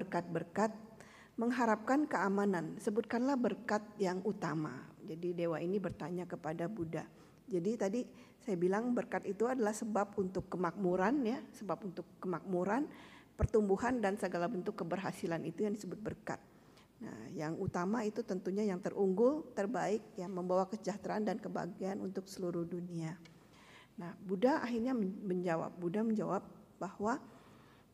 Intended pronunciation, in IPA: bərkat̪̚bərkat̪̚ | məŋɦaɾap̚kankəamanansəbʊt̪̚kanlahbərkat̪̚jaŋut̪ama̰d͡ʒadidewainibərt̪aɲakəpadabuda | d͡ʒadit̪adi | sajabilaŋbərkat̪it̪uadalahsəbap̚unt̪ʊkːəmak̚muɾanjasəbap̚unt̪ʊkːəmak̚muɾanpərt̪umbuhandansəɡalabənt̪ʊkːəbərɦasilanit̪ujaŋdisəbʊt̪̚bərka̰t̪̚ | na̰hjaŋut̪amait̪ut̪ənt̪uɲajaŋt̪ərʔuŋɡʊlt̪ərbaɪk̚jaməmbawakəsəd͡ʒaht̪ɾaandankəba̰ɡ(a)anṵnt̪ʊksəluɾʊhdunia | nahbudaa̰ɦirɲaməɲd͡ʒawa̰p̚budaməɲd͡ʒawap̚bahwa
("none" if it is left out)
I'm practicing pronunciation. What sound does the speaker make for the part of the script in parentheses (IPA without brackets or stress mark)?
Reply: i